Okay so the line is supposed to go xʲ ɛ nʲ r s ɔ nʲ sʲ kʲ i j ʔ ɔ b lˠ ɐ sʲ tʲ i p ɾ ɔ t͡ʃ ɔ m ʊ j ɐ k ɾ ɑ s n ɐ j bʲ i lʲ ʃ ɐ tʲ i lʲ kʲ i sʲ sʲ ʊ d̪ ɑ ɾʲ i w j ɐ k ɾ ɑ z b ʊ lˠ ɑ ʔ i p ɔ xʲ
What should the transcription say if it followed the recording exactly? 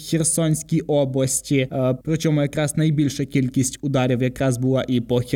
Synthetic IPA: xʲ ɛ r s ɔ nʲ sʲ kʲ i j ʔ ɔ b lˠ ɐ sʲ tʲ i p ɾ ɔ t͡ʃ ɔ m ʊ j ɐ k ɾ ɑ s n ɐ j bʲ i lʲ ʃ ɐ kʲ i lʲ kʲ i sʲ tʲ ʊ d̪ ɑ ɾʲ i w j ɐ k ɾ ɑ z b ʊ lˠ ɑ ʔ i p ɔ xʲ